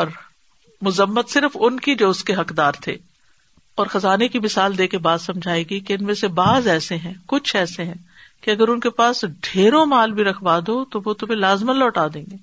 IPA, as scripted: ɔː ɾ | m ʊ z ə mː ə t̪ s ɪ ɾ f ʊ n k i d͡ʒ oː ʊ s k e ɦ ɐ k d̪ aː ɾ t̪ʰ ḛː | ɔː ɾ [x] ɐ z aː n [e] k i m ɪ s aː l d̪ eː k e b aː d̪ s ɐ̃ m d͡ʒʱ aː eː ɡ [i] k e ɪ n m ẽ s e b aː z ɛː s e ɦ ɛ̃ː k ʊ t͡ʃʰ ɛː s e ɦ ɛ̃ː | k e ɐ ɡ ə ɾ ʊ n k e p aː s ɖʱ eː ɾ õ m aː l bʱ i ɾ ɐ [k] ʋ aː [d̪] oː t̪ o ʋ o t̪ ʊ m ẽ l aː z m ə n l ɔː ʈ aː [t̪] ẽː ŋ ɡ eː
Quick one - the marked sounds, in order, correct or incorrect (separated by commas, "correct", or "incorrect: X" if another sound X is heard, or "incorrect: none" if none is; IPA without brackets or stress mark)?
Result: correct, correct, correct, incorrect: kʰ, correct, incorrect: d̪